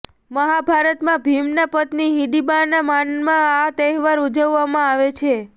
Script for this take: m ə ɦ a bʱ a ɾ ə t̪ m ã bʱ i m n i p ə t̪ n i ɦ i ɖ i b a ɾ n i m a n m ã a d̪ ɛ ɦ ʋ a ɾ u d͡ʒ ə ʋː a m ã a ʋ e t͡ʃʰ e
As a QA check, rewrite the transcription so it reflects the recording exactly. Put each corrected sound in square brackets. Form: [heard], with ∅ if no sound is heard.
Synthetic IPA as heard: m ə ɦ a bʱ a ɾ ə t̪ m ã bʱ i m n [a] p ə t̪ n i ɦ i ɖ i b a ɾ n [a] m a n m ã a [t̪] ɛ ɦ ʋ a ɾ u d͡ʒ ə ʋː a m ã a ʋ e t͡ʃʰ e